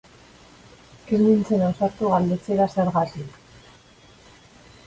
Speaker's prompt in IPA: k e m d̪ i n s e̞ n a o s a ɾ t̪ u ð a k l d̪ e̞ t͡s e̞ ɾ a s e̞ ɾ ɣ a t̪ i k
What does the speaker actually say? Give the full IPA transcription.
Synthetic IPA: k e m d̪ i n t͡s e̞ n a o s a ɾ t̪ u ɣ a l d̪ e̞ t͡s e̞ ɾ a s e̞ ɾ ɣ a t̪ i k